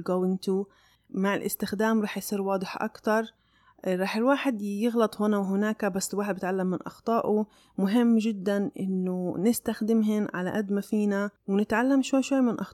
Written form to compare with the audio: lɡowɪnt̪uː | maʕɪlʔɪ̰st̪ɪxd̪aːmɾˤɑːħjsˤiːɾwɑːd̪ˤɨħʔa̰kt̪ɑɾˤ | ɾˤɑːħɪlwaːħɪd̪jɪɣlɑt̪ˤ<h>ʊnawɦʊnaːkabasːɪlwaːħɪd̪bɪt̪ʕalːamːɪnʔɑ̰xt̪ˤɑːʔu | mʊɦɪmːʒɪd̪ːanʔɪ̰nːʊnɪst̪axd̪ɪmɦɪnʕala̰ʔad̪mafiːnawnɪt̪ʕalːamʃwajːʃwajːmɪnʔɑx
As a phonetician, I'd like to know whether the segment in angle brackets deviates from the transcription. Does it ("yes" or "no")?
no